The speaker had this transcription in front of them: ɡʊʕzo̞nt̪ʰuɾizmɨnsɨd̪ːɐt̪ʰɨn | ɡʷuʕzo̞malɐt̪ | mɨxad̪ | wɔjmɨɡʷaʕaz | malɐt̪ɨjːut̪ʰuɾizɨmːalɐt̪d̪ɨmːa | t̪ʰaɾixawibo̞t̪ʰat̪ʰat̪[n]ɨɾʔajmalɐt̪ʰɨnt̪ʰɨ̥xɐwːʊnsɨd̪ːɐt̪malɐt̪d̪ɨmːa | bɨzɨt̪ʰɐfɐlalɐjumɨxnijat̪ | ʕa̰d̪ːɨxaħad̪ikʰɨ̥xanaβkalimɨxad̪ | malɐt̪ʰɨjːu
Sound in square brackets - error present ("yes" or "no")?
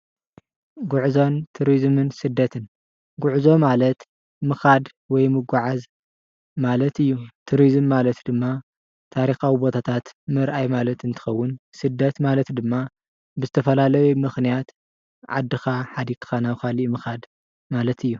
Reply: yes